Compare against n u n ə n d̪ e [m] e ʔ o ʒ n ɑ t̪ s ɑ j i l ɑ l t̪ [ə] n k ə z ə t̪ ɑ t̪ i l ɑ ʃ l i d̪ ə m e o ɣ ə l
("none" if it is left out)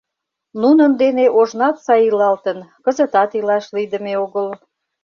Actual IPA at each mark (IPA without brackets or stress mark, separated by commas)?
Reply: n, ə